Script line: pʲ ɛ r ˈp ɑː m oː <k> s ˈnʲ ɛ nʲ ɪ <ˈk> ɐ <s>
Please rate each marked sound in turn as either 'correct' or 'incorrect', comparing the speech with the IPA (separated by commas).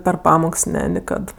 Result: correct, correct, incorrect